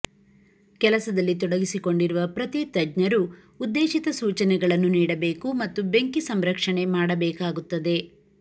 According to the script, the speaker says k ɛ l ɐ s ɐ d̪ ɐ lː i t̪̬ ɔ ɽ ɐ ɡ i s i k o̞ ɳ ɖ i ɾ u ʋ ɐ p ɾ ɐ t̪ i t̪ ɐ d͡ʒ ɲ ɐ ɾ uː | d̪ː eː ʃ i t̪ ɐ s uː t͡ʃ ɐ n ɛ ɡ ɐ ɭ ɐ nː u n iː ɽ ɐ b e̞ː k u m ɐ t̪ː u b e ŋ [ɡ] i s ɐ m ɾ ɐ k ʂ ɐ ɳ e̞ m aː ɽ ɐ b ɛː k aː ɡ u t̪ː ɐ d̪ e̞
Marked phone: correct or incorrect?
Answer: incorrect